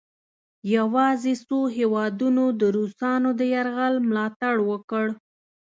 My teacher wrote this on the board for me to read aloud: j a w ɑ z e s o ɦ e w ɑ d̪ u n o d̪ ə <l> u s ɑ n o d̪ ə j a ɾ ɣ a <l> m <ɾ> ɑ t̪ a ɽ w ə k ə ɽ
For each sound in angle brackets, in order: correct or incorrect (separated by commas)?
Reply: incorrect, correct, incorrect